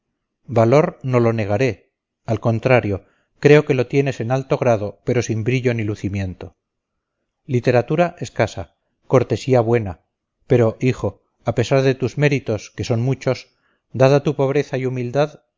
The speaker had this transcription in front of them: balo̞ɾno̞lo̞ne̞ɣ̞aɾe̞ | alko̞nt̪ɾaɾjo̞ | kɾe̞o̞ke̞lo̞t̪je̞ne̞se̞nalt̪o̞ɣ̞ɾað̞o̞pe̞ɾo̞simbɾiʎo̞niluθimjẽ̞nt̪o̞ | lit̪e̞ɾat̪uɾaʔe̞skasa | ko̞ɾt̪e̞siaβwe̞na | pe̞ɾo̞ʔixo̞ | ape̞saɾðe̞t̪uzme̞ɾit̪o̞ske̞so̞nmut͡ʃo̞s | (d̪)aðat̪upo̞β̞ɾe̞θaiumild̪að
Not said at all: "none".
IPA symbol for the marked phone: d̪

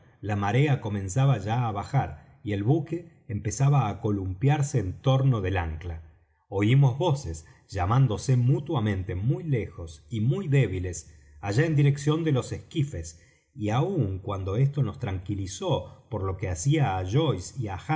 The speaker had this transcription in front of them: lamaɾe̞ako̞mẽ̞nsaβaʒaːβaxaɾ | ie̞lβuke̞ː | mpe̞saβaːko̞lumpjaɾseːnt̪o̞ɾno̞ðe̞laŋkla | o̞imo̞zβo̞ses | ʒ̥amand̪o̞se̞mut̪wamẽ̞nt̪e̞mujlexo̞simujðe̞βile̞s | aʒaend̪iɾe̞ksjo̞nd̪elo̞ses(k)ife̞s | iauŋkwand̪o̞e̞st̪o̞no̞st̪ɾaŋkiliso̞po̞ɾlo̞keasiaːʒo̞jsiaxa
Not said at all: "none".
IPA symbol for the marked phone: k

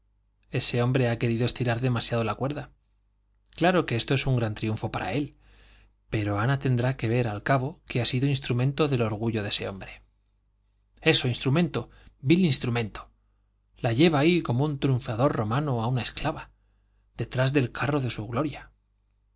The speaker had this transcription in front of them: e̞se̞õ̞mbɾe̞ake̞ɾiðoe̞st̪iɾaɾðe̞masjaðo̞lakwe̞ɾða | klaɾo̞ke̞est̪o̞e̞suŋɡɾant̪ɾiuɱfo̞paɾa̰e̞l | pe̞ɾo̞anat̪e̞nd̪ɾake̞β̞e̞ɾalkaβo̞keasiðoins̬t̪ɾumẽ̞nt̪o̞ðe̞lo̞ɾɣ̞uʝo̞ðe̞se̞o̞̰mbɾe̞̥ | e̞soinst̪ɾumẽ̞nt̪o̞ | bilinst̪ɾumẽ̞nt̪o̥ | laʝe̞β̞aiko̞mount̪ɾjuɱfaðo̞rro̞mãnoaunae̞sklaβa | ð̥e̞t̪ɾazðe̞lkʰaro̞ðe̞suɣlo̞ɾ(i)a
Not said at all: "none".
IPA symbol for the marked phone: j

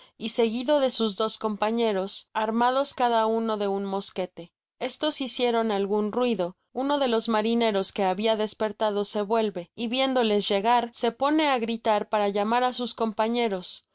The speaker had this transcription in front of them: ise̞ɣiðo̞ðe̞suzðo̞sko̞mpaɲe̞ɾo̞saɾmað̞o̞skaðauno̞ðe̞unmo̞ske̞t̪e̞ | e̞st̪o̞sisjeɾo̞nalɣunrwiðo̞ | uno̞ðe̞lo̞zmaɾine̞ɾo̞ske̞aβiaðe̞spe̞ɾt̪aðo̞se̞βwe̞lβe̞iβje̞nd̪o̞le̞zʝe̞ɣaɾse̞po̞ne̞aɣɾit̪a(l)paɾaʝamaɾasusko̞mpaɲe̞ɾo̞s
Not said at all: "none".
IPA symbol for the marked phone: ɾ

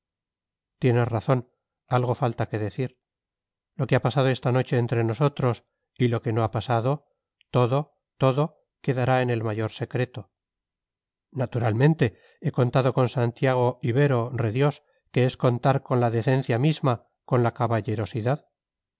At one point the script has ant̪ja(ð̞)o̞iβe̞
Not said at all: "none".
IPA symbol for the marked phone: ɣ̞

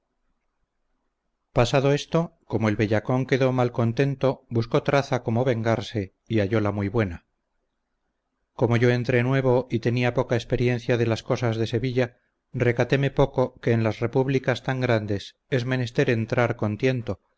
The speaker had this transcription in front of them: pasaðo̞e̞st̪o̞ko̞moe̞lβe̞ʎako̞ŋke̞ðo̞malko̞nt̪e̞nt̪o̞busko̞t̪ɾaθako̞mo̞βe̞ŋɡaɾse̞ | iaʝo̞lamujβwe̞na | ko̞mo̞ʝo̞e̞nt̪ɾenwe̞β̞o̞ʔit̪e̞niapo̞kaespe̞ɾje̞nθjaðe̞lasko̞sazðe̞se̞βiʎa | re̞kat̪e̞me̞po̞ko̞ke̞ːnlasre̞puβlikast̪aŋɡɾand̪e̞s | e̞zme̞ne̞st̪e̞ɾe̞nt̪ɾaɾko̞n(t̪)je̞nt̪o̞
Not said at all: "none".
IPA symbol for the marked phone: t̪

